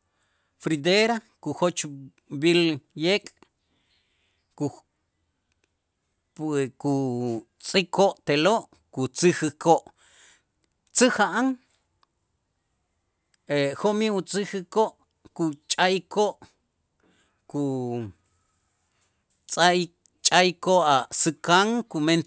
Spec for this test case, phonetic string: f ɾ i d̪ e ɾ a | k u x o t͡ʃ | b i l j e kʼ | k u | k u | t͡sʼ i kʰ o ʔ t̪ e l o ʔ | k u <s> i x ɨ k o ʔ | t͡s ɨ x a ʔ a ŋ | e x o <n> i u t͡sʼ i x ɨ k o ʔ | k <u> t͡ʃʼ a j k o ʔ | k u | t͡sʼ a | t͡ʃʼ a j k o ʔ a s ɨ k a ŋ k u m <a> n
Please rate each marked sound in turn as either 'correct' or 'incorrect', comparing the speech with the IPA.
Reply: incorrect: t͡s, incorrect: m, correct, incorrect: e

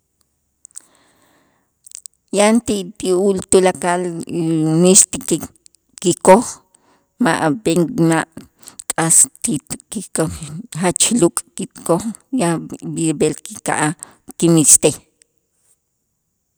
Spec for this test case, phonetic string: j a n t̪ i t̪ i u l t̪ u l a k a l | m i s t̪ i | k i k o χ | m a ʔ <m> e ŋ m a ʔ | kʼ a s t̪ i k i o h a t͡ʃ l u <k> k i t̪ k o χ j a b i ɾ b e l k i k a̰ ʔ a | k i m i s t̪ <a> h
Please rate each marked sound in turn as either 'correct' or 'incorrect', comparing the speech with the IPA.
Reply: incorrect: b, incorrect: kʼ, incorrect: e

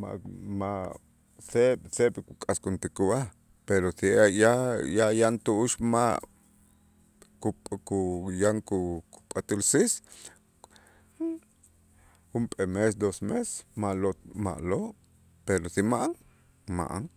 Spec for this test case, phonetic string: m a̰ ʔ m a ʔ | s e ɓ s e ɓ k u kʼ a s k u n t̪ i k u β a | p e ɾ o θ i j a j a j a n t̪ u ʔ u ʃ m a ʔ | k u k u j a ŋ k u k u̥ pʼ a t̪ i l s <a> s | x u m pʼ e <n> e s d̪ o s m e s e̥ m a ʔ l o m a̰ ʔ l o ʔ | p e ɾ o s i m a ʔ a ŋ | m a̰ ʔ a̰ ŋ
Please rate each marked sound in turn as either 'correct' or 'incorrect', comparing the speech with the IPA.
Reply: incorrect: i, incorrect: m

